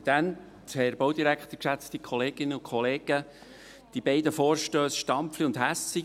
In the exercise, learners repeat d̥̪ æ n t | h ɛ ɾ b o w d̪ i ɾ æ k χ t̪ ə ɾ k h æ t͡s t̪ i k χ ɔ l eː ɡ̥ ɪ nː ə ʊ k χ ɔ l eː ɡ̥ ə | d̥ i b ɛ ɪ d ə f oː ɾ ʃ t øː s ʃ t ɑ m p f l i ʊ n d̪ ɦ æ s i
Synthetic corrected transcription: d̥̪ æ n t | h ɛ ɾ b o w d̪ i ɾ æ k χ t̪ ə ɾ k ʃ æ t͡s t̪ i k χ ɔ l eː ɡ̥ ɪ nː ə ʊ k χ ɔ l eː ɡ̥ ə | d̥ i b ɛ ɪ d ə f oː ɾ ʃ t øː s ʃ t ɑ m p f l i ʊ n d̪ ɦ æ s i

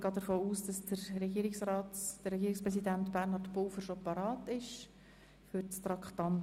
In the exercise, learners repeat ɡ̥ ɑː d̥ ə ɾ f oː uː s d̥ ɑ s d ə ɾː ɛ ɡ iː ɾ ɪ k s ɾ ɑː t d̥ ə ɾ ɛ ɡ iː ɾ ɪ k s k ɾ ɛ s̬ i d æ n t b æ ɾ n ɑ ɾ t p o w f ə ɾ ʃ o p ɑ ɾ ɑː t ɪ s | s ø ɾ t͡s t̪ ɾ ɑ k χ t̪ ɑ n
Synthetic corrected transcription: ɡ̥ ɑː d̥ ə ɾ f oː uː s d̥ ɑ s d ə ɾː ɛ ɡ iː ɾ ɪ k s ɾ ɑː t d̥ ə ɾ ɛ ɡ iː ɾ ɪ k s p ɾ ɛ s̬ i d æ n t b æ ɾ n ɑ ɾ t p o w f ə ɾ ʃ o p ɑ ɾ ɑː t ɪ ʃ | f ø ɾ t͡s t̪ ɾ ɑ k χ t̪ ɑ n

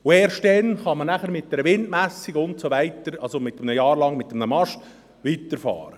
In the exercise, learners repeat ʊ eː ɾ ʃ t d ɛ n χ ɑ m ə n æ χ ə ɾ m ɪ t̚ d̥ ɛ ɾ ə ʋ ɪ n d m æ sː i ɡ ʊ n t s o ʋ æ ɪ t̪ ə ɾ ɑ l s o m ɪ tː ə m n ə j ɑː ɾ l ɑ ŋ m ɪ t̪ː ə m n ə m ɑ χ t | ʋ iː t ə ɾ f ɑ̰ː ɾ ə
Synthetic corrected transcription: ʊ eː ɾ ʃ t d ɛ n χ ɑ m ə n æ χ ə ɾ m ɪ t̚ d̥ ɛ ɾ ə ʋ ɪ n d m æ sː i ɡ ʊ n t s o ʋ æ ɪ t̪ ə ɾ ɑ l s o m ɪ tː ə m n ə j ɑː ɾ l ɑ ŋ m ɪ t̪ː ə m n ə m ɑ ʃ t | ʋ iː t ə ɾ f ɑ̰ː ɾ ə

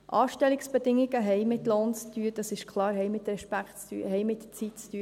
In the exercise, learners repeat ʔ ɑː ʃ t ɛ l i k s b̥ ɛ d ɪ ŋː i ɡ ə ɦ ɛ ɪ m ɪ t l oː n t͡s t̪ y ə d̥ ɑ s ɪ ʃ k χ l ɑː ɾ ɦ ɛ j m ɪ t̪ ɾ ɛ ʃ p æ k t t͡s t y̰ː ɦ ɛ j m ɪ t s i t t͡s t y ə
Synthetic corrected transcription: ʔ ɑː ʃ t ɛ l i k s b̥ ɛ d ɪ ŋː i ɡ ə ɦ ɛ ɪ m ɪ t l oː n t͡s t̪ y ə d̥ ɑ s ɪ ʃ k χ l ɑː ɾ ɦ ɛ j m ɪ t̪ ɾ ɛ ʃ p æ k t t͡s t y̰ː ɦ ɛ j m ɪ t t͡s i t t͡s t y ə

